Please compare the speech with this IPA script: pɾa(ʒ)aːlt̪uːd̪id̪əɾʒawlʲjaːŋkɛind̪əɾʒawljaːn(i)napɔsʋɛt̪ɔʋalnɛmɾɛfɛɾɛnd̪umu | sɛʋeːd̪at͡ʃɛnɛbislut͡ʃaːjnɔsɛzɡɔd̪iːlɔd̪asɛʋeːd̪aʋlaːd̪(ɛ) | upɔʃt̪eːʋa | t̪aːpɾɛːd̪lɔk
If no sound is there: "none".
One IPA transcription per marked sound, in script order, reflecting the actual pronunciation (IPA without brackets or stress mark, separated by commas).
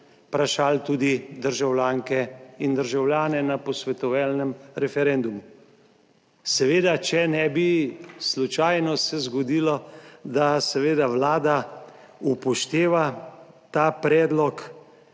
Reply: ʃ, ɛ, a